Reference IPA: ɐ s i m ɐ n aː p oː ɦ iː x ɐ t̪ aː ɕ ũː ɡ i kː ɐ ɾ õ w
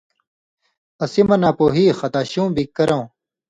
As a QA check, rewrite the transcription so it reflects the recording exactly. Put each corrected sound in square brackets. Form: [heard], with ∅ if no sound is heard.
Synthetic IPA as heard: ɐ s i m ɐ n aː p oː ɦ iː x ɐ t̪ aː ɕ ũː [b] i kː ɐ ɾ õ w